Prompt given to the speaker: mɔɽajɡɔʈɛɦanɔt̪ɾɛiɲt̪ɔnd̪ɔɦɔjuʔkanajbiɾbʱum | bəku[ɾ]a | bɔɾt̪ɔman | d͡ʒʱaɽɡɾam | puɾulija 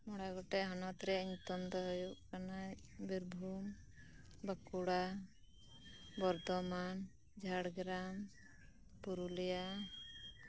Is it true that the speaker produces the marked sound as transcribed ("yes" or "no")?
no